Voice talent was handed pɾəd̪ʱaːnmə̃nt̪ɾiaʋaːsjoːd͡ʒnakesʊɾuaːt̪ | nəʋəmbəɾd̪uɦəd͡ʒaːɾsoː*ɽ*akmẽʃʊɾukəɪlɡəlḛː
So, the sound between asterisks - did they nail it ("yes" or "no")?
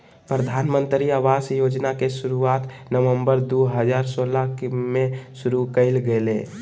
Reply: no